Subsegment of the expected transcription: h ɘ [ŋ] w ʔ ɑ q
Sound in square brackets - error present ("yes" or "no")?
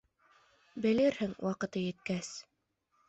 no